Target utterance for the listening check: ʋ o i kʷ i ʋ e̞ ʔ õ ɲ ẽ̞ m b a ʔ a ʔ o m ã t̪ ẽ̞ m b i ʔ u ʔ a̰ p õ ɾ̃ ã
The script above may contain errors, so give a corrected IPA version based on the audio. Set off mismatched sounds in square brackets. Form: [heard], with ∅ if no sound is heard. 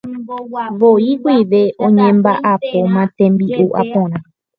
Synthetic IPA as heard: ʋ o i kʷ i ʋ e̞ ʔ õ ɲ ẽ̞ m b a ʔ a [p] o m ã t̪ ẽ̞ m b i ʔ u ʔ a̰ p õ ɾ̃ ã